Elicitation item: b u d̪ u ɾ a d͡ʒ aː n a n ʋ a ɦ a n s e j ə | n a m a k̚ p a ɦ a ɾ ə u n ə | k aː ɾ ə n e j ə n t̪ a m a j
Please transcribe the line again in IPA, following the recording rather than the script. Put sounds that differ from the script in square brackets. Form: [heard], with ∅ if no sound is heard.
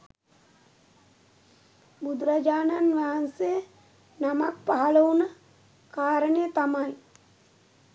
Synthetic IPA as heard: b u d̪ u ɾ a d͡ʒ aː n a n ʋ a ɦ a n s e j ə | n a m a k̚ p a ɦ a [l] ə u n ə | k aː ɾ ə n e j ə [∅] t̪ a m a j